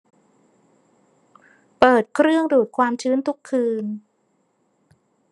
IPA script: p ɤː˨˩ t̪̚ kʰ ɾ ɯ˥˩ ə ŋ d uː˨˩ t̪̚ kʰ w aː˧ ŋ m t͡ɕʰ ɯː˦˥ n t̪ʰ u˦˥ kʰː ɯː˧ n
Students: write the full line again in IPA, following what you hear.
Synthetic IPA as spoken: p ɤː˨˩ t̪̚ kʰ ɾ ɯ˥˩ ə ŋ d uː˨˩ t̪̚ kʰ w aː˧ m t͡ɕʰ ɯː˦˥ n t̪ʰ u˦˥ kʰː ɯː˧ n